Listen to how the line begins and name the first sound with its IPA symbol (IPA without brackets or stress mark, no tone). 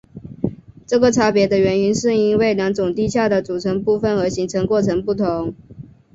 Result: ʈ͡ʂ